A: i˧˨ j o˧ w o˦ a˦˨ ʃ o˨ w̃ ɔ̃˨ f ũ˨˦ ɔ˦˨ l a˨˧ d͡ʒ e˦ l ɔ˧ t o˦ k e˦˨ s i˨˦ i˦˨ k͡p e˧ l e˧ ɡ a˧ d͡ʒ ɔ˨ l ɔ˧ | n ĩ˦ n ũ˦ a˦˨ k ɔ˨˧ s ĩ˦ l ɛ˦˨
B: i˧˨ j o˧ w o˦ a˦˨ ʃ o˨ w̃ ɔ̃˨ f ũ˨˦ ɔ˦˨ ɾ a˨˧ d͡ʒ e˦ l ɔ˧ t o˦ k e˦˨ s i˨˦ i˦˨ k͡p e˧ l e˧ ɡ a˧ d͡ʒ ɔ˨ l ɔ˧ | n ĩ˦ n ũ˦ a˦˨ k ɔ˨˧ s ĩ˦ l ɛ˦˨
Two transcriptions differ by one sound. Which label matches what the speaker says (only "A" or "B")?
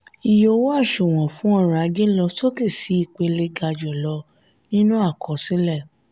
B